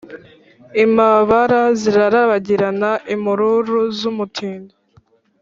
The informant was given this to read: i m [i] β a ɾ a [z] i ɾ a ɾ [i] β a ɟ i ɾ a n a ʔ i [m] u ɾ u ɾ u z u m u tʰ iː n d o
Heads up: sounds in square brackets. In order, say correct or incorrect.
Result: incorrect: a, correct, incorrect: a, correct

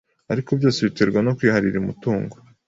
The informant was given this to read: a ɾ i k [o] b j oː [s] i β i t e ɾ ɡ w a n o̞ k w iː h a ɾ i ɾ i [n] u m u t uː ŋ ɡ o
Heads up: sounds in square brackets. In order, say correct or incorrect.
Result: correct, correct, incorrect: none

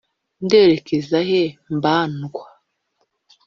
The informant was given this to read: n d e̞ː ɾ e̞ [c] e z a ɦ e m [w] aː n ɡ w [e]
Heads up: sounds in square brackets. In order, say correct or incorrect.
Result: incorrect: k, incorrect: b, incorrect: a

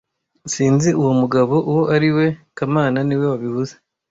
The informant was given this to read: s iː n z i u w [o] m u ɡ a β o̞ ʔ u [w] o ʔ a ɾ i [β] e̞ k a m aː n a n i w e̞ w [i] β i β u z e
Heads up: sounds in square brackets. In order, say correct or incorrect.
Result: correct, correct, incorrect: w, incorrect: a

